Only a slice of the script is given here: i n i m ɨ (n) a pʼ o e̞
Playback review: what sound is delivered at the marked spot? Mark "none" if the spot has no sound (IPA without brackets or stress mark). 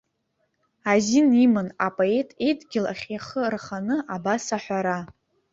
n